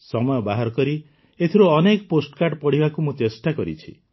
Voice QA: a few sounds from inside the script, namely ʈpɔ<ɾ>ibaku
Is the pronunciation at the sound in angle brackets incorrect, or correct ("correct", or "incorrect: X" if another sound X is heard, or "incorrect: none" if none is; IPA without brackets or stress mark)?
incorrect: ɽ